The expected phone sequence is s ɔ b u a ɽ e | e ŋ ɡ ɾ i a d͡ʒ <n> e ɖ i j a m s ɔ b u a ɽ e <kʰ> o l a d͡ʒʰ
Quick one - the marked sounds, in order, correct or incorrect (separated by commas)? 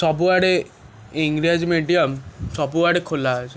incorrect, correct